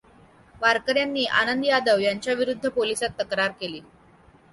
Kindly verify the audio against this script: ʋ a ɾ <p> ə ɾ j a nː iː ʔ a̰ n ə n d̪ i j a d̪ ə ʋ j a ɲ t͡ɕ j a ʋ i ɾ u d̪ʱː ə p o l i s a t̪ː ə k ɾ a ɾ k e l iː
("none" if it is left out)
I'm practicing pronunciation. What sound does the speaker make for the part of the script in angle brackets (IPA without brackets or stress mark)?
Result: k